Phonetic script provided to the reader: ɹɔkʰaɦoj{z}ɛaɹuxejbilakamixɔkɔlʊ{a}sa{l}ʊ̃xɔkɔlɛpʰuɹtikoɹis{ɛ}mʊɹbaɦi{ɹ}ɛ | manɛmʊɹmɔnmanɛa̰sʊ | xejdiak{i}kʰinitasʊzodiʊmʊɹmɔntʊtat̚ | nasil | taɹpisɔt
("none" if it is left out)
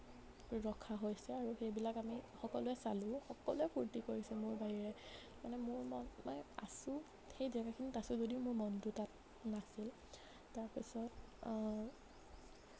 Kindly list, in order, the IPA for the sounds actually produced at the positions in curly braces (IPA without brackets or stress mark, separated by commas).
s, ɛ, l, ɛ, ɹ, a